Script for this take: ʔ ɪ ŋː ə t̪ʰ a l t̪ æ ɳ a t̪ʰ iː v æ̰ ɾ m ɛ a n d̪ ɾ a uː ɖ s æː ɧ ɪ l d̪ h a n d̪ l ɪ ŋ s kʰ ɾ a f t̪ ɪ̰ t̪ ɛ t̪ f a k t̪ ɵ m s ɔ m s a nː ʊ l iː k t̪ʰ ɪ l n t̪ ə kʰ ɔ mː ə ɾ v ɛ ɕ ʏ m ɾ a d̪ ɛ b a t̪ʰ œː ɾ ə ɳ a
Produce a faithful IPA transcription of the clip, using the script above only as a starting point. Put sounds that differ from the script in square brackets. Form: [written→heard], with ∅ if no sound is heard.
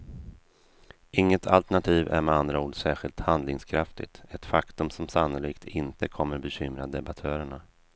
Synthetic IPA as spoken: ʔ ɪ ŋː ə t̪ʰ a l t̪ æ ɳ a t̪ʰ iː v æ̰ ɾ m ɛ a n d̪ ɾ a uː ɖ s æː ɧ ɪ l [d̪→t̪] h a n d̪ l ɪ ŋ s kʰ ɾ a f t̪ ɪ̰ t̪ ɛ t̪ f a k t̪ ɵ m s ɔ m s a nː ʊ l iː k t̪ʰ ɪ [l→∅] n t̪ ə kʰ ɔ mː ə ɾ [v→b] ɛ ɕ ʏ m ɾ a d̪ ɛ b a t̪ʰ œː ɾ ə ɳ a